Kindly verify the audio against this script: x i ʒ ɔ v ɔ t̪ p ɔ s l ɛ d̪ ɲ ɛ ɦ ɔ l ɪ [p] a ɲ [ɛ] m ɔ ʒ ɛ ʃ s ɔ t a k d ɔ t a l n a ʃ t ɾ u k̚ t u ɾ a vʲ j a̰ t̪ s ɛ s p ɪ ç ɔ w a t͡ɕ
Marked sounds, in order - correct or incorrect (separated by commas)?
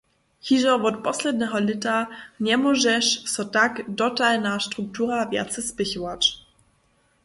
incorrect, correct